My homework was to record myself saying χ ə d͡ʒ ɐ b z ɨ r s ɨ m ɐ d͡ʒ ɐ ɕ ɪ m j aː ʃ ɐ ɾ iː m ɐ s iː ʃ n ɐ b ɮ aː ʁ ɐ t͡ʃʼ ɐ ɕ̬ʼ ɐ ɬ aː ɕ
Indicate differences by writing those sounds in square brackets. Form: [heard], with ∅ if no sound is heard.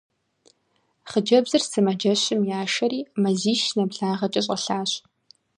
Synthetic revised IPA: χ ə d͡ʒ ɐ b z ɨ r s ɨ m ɐ d͡ʒ ɐ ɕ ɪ m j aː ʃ ɐ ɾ iː m ɐ [z] iː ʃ n ɐ b ɮ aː ʁ ɐ t͡ʃʼ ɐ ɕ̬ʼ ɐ ɬ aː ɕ